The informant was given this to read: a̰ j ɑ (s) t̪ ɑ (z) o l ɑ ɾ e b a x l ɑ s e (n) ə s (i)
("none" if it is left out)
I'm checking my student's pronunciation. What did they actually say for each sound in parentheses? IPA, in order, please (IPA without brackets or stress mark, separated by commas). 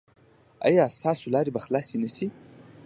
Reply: s, s, n, i